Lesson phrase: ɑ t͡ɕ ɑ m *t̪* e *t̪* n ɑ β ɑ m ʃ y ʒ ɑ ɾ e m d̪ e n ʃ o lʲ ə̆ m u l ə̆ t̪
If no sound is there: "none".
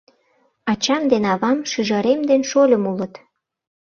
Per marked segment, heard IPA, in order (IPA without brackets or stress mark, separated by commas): d̪, none